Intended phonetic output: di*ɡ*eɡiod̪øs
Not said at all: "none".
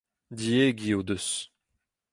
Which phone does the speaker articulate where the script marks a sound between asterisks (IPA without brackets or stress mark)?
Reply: none